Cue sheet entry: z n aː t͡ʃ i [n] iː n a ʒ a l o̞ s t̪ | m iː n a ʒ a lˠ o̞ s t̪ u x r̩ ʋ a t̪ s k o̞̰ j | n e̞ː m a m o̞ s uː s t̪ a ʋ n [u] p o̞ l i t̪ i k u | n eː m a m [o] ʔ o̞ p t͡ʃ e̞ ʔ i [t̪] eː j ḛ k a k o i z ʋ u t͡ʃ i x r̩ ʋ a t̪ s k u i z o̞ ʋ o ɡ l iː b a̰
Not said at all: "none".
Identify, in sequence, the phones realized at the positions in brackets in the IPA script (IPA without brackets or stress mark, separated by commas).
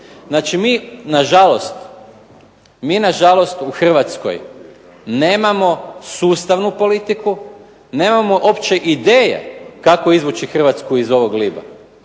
m, u, o, d̪